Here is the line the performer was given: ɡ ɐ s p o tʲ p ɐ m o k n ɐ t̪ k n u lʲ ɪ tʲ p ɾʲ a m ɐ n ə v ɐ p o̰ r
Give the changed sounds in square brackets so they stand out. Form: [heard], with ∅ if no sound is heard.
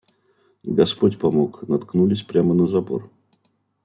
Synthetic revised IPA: ɡ ɐ s p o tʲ p ɐ m o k n ɐ t̪ k n u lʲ ɪ [sʲ] p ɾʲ a m [ə] n ə [z] ɐ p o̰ r